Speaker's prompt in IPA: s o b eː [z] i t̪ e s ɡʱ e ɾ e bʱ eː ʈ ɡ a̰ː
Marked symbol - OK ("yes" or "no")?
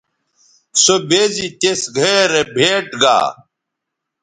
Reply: yes